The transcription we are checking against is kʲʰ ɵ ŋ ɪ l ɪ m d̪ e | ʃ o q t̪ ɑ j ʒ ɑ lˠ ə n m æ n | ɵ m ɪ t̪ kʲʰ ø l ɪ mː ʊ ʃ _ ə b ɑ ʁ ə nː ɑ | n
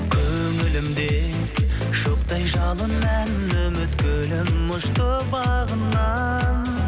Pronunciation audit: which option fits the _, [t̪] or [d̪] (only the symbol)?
t̪